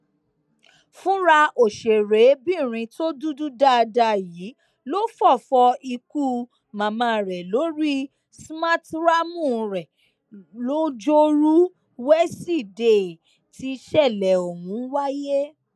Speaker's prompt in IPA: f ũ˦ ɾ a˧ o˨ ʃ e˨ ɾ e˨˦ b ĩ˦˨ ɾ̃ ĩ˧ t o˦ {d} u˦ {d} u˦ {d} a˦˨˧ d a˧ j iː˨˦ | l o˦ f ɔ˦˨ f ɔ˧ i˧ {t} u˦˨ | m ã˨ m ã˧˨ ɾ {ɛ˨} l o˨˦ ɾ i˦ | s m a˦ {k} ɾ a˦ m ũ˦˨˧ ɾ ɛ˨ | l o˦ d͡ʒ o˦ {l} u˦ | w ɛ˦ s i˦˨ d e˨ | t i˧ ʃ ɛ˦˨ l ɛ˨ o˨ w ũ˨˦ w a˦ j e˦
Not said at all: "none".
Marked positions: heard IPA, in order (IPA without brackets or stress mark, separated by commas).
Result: d, d, d, k, ɛ˨, t, ɾ